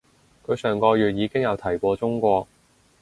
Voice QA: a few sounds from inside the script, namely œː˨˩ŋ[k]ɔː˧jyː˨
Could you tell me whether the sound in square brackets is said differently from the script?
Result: no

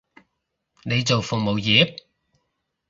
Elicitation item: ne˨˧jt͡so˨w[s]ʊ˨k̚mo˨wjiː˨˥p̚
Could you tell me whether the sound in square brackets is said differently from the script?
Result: yes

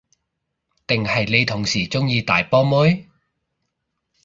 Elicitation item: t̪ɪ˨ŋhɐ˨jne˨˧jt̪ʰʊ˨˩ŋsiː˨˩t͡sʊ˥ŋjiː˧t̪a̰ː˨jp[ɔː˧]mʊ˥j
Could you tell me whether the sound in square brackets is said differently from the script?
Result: yes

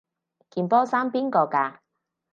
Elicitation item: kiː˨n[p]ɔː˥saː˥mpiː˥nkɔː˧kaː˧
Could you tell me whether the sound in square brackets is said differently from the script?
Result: no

